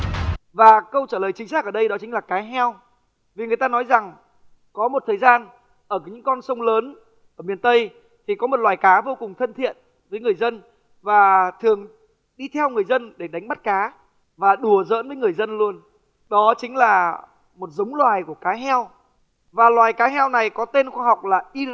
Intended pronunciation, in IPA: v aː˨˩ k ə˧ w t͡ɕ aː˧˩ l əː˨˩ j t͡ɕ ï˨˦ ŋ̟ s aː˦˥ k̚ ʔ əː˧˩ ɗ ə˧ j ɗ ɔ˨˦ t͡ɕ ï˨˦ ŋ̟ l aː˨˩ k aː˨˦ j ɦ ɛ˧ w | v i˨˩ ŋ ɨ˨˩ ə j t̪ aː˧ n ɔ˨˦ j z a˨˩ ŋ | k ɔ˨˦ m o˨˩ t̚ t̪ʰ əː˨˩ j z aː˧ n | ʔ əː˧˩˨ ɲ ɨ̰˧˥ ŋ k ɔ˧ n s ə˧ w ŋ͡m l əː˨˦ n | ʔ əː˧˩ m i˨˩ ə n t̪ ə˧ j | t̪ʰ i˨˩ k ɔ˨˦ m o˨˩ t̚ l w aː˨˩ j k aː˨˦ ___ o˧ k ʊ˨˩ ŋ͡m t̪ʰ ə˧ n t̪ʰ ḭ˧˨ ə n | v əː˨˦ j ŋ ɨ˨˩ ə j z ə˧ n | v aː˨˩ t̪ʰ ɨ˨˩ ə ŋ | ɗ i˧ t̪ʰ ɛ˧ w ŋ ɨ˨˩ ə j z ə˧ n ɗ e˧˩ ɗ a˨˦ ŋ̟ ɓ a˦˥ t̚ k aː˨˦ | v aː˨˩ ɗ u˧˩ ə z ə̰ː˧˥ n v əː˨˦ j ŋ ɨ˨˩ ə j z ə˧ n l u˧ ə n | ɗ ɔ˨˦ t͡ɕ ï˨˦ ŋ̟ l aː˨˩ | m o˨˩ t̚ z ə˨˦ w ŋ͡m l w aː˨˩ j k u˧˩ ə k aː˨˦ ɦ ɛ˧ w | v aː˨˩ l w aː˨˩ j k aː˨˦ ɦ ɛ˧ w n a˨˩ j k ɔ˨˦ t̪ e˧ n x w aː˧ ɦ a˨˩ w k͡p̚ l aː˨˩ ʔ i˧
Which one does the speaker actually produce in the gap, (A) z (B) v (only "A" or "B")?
B